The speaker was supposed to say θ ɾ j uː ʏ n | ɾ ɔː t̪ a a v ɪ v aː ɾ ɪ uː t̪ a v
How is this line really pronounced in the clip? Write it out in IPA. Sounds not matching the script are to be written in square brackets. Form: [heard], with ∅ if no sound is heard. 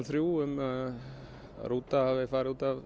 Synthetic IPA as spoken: θ ɾ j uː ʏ [m] | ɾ [uː] t̪ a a v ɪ [f] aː ɾ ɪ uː t̪ a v